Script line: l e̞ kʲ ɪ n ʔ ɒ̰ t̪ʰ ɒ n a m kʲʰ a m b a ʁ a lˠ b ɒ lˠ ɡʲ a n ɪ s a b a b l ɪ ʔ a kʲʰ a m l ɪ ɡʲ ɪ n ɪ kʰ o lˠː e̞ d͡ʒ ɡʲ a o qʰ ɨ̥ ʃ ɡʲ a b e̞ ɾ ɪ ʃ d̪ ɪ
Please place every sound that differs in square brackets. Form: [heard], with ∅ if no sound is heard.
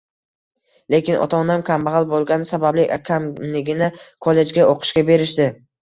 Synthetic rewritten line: l e̞ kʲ ɪ n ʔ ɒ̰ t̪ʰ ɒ n a m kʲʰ a m b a ʁ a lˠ b [o] lˠ ɡʲ a n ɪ s a b a b l ɪ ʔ a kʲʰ a m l ɪ ɡʲ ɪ n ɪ kʰ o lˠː e̞ d͡ʒ ɡʲ a o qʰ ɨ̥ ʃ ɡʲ a b e̞ ɾ ɪ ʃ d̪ ɪ